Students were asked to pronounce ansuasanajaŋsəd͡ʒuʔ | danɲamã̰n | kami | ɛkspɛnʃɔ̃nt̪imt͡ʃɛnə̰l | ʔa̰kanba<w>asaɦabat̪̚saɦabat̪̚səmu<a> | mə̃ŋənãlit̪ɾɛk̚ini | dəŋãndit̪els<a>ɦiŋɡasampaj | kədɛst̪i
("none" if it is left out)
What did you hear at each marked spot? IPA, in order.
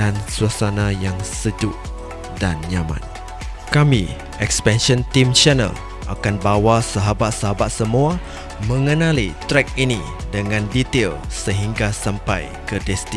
w, a, ə

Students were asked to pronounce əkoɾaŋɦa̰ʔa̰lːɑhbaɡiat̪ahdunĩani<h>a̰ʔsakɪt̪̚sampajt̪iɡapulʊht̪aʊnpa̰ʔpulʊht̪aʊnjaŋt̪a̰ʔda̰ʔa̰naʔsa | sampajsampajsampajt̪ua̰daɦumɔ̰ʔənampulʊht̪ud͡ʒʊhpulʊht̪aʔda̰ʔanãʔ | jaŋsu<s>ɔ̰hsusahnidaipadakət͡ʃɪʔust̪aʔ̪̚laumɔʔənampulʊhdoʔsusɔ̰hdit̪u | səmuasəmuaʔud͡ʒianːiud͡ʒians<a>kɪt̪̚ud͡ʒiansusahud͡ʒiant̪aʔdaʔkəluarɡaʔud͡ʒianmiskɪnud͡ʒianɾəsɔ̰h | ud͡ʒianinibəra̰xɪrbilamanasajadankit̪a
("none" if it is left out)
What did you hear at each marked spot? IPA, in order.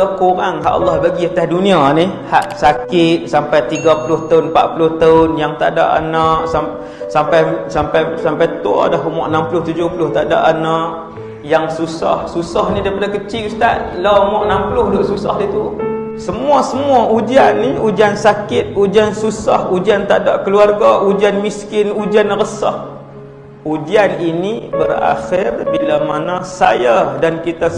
h, s, a

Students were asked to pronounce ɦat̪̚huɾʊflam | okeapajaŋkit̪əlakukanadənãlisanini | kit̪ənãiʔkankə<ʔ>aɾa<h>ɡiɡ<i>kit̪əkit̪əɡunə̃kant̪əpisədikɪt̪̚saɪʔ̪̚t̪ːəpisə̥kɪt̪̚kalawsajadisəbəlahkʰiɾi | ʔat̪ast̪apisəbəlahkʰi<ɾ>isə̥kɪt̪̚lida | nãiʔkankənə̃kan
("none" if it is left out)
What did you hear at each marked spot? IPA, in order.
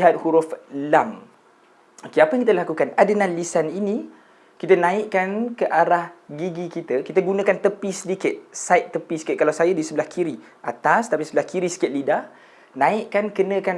ʔ, h, i, ɾ

